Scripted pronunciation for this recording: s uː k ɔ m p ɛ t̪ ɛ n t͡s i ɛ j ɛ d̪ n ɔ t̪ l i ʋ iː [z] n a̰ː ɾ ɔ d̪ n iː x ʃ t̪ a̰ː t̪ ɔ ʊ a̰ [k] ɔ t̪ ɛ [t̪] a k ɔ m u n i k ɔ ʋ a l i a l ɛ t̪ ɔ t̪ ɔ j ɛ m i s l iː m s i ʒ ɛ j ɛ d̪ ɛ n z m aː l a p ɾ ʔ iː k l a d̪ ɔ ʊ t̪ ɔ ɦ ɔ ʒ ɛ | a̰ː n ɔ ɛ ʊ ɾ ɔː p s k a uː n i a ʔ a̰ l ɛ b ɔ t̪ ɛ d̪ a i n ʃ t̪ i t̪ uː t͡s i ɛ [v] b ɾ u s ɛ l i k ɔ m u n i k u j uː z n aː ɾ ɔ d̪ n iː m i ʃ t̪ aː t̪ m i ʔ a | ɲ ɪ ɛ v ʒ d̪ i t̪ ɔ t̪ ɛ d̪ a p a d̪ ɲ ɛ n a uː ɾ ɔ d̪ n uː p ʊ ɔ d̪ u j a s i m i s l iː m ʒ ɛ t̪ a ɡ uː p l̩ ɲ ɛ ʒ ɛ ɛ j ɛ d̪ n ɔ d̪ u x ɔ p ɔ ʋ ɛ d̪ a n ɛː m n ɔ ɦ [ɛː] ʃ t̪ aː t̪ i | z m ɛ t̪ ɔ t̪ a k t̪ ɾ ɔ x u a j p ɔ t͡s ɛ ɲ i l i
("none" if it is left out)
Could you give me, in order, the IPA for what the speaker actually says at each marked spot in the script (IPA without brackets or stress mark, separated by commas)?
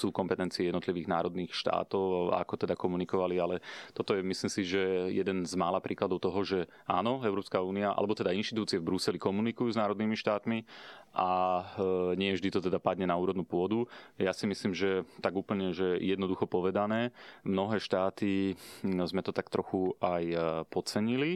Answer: ɣ, k, d̪, v, ɛː